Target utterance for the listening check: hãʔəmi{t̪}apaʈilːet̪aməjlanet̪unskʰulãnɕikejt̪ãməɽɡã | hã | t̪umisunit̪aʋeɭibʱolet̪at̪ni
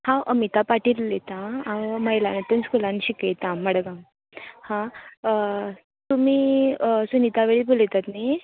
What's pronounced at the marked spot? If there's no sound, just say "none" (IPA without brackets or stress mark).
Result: t̪